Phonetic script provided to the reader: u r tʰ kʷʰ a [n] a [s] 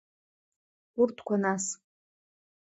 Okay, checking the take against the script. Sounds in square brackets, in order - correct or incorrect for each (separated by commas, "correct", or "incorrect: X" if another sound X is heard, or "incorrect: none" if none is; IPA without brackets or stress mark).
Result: correct, correct